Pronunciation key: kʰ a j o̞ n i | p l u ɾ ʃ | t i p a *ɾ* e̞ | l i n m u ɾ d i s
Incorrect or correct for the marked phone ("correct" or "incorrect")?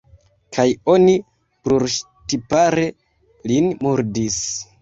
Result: correct